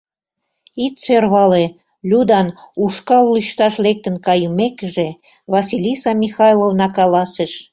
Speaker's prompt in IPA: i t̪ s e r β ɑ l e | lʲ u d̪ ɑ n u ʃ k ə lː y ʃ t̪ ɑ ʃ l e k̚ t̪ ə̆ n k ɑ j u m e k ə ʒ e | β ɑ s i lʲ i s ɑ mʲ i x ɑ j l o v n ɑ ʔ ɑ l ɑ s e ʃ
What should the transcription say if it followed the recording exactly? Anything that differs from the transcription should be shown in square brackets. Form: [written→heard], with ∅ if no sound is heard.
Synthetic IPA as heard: i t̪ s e r β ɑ l e | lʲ u d̪ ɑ n u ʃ k [ə→ɑ] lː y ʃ t̪ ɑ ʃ l e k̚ t̪ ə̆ n k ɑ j u m e k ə ʒ e | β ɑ s i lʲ i s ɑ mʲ i x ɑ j l o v n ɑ [ʔ→k] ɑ l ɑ s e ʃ

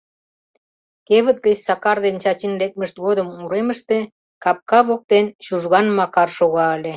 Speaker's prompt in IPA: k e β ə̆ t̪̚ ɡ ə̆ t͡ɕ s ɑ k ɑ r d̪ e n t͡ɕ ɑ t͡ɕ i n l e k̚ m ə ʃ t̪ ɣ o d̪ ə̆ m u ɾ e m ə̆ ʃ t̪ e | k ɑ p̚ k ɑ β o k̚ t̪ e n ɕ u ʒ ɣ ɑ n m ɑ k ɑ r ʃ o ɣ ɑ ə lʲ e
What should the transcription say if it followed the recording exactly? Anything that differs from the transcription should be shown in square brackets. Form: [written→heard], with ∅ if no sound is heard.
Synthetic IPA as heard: k e β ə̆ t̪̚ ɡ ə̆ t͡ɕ s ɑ k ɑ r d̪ e n t͡ɕ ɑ t͡ɕ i n l e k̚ m ə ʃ t̪ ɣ o d̪ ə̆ m u ɾ e m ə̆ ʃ t̪ e | k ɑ p̚ k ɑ β o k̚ t̪ e n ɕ u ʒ ɣ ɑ n m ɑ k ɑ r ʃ o ɣ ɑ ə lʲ e

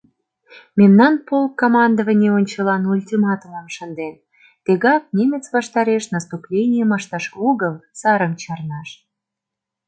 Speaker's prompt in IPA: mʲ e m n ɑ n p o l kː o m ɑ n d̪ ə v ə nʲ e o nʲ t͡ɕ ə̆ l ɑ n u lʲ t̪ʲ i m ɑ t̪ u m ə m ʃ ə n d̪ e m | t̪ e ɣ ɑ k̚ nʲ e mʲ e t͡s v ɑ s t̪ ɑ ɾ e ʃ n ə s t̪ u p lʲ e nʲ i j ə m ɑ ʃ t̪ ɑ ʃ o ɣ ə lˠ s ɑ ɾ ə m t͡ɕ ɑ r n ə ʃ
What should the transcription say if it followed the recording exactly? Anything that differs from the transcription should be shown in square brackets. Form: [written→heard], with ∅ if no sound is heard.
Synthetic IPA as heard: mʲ e m n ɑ n p o l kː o m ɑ n d̪ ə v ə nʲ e o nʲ t͡ɕ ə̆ l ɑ n u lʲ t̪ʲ i m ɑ t̪ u m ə m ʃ ə n d̪ e [m→n] | t̪ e ɣ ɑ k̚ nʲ e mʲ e t͡s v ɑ [s→ʃ] t̪ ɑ ɾ e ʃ n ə s t̪ u p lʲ e nʲ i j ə m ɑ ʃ t̪ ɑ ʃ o ɣ ə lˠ s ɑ ɾ ə m t͡ɕ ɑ r n [ə→ɑ] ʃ

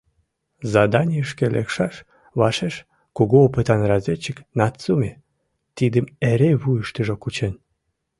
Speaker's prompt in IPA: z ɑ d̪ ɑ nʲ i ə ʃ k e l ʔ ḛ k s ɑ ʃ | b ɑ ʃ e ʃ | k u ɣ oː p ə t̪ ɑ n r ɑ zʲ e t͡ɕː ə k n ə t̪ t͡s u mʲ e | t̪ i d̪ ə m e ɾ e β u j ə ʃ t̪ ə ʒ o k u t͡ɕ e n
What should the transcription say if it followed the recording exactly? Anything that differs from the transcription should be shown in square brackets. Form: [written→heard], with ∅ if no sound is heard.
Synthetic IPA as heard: z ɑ d̪ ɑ nʲ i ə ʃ k e l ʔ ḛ k [s→ʃ] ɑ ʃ | [b→β] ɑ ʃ e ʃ | k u ɣ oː p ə t̪ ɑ n r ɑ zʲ e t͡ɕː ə k n [ə→ɑ] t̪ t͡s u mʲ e | t̪ i d̪ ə m e ɾ e β u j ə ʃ t̪ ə ʒ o k u t͡ɕ e n

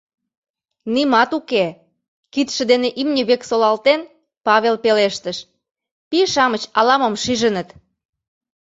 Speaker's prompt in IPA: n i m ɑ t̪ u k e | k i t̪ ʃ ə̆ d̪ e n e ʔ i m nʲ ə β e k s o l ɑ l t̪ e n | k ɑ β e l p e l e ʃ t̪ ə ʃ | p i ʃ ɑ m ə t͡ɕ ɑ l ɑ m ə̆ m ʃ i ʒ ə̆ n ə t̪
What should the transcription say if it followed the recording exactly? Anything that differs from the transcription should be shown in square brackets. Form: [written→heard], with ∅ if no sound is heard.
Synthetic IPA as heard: n i m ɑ t̪ u k e | k i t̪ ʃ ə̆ d̪ e n e ʔ i m nʲ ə β e k s o l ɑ l t̪ e n | [k→p] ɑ β e l p e l e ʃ t̪ ə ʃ | p i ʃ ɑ m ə t͡ɕ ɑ l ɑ m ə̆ m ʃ i ʒ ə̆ n ə t̪

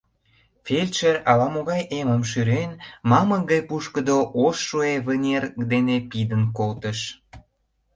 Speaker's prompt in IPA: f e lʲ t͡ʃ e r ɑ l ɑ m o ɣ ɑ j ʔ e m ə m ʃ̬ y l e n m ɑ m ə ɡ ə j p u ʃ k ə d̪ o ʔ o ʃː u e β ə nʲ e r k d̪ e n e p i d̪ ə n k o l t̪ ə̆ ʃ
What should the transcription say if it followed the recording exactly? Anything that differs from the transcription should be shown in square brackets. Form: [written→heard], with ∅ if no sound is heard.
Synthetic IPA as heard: f e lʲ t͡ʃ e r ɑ l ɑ m o ɣ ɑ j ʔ e m ə m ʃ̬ y [l→ɾ] e n m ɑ m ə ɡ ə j p u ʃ k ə d̪ o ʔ o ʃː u e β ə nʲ e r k d̪ e n e p i d̪ ə n k o l t̪ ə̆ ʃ

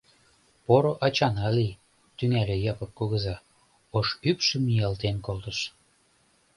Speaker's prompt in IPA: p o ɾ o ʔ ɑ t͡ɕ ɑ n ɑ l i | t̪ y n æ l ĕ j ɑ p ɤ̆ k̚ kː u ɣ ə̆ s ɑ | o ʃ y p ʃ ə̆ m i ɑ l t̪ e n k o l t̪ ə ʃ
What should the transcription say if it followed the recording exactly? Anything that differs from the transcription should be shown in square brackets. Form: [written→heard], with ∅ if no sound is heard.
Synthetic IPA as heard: p o ɾ o ʔ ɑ t͡ɕ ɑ n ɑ l i | t̪ y [n→ŋ] æ l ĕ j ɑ p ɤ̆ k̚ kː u ɣ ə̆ [s→z] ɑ | o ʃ y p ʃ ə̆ m i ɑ l t̪ e n k o l t̪ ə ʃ

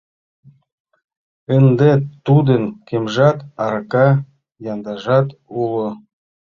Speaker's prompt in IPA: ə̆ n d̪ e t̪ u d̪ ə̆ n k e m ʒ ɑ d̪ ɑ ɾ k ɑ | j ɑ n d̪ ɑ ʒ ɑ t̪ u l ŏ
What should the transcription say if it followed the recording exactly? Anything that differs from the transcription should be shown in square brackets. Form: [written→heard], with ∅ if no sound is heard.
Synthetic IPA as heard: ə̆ n d̪ e t̪ u d̪ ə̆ n k e m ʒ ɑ [d̪→t̪] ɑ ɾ k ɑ | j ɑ n d̪ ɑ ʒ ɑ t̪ u l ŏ

